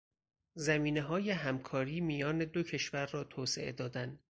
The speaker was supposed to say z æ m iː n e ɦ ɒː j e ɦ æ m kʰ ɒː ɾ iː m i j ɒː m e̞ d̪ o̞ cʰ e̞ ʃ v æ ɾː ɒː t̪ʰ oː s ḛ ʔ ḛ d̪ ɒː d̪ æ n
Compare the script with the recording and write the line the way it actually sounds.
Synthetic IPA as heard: z æ m iː n e ɦ ɒː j e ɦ æ m kʰ ɒː ɾ iː m i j ɒː n e̞ d̪ o̞ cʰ e̞ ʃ v æ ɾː ɒː t̪ʰ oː s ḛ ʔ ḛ d̪ ɒː d̪ æ n